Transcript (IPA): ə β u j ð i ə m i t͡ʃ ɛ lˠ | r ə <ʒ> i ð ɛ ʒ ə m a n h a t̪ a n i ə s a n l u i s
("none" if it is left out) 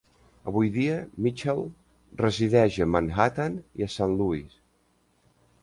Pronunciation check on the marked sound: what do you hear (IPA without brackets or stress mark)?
z